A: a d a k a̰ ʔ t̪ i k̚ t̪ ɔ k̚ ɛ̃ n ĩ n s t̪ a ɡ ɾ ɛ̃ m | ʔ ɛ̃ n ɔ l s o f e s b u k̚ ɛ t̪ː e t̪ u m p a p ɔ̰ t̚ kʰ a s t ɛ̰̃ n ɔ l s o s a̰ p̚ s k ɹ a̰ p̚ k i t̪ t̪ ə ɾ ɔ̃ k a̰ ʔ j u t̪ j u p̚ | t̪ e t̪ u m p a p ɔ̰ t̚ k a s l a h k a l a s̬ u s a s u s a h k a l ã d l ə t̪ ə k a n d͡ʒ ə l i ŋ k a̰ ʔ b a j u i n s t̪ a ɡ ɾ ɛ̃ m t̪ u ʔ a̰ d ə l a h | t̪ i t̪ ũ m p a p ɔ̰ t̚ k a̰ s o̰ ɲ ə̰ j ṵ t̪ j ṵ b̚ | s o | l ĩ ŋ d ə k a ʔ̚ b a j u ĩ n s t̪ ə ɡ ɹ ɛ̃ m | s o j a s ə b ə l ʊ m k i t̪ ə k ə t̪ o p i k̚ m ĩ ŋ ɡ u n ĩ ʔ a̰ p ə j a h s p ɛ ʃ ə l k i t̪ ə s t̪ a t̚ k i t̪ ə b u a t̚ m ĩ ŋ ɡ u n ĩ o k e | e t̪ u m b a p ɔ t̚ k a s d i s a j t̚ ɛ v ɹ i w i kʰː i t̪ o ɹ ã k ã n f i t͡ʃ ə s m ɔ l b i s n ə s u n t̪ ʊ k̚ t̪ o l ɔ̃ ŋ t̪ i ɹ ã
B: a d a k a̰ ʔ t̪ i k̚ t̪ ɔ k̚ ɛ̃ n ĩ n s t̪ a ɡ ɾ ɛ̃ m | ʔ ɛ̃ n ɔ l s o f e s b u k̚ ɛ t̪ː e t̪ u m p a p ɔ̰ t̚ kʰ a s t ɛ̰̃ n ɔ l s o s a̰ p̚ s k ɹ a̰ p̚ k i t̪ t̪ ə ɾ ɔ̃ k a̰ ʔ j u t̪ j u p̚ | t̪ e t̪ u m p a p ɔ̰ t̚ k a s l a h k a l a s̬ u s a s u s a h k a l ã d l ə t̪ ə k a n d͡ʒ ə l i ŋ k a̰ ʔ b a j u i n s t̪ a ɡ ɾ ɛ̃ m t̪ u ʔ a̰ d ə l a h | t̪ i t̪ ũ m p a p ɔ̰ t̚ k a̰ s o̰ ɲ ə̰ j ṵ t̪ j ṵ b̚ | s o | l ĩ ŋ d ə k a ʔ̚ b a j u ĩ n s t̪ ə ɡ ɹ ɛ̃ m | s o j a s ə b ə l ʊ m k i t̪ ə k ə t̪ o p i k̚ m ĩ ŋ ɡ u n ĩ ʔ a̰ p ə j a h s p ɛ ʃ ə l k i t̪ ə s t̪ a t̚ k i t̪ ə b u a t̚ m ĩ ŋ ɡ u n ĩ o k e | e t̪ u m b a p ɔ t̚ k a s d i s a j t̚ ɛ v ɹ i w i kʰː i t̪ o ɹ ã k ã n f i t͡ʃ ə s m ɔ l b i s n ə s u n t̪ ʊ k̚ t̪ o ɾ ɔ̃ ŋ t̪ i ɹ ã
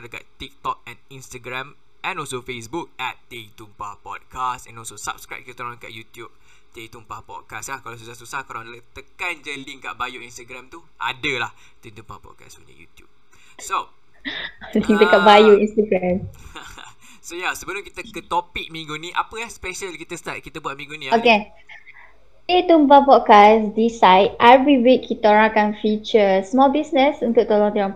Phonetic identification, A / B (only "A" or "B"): A